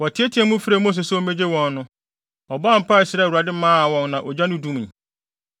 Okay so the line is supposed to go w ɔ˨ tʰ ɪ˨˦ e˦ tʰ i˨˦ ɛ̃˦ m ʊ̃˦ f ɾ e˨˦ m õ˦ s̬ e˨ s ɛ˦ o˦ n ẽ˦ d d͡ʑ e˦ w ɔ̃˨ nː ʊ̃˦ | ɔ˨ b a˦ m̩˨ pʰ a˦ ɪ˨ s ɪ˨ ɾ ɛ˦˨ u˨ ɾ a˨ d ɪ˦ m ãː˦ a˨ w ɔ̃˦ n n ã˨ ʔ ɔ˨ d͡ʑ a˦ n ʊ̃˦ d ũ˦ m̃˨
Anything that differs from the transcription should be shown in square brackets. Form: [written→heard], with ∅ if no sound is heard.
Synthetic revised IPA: w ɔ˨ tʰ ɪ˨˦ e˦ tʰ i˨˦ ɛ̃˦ m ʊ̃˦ f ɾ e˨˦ m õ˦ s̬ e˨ s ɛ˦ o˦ [n→m] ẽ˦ [d→∅] d͡ʑ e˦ w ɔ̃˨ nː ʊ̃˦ | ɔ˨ b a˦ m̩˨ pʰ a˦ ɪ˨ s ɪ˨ ɾ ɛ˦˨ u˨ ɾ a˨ d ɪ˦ m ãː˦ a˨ w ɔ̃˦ n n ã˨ ʔ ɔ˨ d͡ʑ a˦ n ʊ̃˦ d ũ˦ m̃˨